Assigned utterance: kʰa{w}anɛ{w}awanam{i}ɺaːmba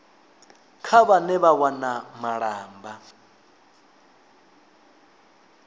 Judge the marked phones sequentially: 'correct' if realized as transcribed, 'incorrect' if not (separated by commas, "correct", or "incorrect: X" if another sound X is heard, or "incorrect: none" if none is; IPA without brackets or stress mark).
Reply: incorrect: β, incorrect: β, incorrect: a